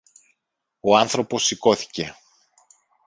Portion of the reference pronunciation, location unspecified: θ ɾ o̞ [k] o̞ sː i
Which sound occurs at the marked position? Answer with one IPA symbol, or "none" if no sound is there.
p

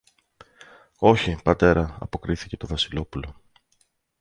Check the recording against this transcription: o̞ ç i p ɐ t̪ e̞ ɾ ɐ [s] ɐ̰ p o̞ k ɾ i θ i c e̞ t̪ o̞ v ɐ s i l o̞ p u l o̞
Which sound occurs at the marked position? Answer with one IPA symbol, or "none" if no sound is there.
none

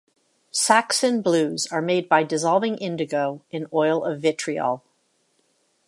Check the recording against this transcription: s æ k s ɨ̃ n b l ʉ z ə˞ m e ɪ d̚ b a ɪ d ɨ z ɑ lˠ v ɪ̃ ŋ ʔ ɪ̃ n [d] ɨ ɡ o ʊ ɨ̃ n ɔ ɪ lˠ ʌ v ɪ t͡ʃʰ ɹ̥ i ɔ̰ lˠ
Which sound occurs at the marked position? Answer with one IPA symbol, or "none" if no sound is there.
d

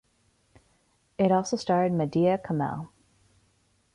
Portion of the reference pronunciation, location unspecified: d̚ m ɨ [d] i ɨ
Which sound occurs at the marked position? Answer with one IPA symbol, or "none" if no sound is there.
d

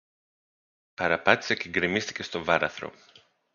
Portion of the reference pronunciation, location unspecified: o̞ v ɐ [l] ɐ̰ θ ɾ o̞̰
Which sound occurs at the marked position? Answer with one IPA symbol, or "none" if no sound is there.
ɾ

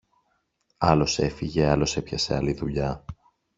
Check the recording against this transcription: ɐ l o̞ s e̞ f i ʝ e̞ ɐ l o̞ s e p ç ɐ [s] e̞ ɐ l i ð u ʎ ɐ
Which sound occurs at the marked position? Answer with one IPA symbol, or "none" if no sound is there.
s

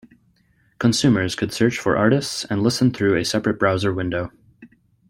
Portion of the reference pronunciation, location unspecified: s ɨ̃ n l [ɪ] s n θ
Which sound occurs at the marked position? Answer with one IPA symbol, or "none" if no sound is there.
ɪ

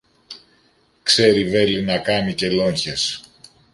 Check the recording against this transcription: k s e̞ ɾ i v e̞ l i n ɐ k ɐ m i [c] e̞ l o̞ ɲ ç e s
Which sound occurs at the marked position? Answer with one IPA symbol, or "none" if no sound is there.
c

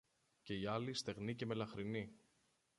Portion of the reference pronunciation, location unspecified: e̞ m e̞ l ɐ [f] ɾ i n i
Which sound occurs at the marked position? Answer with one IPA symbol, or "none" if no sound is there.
x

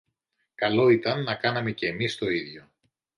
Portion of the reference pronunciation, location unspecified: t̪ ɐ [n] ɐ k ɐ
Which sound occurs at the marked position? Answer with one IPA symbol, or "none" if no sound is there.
nː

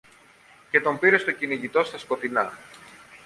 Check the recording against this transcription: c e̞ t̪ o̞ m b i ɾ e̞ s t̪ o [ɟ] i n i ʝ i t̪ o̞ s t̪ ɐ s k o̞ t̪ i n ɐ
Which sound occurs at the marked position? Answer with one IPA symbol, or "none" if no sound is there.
c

